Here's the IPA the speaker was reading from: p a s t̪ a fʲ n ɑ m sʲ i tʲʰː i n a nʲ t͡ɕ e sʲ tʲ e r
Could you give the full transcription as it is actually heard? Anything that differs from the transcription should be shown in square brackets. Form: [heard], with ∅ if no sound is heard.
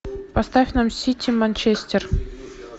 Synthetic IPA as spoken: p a s t̪ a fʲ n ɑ m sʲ i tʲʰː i [m] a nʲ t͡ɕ e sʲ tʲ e r